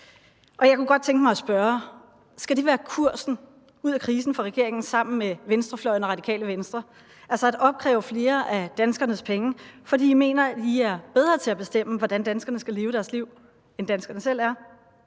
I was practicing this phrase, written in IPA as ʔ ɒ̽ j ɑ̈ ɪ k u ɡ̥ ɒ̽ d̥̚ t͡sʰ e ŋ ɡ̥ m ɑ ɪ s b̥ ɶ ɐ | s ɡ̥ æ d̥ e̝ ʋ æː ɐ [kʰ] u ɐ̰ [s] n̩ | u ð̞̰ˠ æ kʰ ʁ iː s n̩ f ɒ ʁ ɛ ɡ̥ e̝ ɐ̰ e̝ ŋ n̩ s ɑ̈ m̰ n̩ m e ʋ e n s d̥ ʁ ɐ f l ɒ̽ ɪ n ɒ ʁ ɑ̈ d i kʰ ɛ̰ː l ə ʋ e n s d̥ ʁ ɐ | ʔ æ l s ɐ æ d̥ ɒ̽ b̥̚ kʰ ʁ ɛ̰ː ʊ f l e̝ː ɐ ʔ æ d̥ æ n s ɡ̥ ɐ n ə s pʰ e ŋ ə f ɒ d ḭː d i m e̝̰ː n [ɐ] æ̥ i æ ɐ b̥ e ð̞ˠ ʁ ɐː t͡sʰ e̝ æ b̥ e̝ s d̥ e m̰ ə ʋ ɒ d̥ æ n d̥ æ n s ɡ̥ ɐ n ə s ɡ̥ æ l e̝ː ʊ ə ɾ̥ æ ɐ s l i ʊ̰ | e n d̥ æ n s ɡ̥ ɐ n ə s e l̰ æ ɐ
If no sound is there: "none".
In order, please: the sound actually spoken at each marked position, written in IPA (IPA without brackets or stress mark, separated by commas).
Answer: kʰ, s, ɐ